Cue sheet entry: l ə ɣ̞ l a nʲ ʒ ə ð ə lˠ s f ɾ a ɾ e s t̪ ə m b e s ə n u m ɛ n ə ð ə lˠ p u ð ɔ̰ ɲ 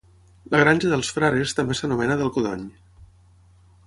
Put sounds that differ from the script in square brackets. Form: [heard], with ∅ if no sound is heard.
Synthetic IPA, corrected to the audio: l ə ɣ̞ [ɾ] a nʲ ʒ ə ð ə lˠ s f ɾ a ɾ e s t̪ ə m b e s ə n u m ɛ n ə ð ə lˠ [k] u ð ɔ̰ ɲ